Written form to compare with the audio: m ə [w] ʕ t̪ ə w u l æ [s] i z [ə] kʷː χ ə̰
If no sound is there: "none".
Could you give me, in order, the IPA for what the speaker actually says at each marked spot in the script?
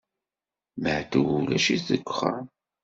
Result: none, ʃ, ə

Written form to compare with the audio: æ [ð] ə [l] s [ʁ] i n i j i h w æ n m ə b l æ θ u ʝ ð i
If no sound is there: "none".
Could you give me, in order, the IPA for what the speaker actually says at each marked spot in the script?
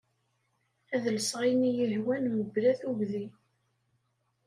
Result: ð, l, ʁ

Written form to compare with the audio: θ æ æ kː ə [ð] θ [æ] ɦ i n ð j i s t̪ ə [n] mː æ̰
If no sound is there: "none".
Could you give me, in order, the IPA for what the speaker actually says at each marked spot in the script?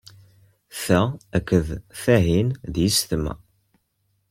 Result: ð, æ, none

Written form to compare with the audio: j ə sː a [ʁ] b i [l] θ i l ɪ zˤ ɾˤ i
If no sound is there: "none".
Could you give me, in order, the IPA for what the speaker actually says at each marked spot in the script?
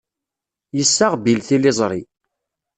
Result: ʁ, l

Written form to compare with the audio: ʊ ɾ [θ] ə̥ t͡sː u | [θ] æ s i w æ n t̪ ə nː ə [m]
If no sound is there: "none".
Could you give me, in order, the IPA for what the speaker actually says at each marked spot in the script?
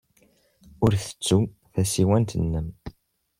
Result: θ, θ, m

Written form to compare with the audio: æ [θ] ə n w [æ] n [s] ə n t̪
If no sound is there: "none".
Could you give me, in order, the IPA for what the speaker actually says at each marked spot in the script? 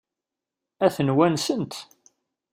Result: θ, æ, s

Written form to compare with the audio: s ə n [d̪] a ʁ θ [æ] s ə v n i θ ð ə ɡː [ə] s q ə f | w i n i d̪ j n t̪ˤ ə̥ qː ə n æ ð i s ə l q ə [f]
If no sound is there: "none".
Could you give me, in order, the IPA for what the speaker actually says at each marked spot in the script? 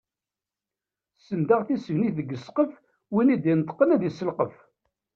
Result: d̪, i, ə, f

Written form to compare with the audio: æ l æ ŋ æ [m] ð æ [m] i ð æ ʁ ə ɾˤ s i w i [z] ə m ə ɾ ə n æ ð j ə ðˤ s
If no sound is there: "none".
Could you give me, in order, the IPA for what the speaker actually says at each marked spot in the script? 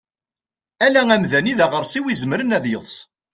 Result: m, n, z

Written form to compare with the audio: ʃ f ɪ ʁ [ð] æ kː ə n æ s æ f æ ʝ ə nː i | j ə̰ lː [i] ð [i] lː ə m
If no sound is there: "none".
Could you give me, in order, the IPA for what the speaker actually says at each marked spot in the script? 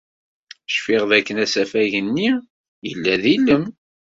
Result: ð, æ, i

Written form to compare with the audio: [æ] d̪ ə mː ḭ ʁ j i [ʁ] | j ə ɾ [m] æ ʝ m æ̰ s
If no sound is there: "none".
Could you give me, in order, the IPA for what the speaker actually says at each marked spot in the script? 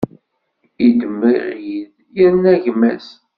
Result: i, ð, n

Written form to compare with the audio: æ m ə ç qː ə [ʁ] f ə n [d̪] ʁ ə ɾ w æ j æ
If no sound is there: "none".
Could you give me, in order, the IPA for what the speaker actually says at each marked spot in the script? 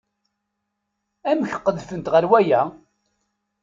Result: ð, t̪

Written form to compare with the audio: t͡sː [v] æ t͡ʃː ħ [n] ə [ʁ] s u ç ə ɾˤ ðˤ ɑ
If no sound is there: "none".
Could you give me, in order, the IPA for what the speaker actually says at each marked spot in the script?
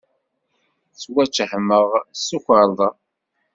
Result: w, m, ʁ

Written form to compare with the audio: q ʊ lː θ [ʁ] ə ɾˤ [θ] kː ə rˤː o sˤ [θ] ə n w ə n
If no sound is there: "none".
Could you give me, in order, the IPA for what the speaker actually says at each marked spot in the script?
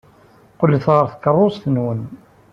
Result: ʁ, θ, θ

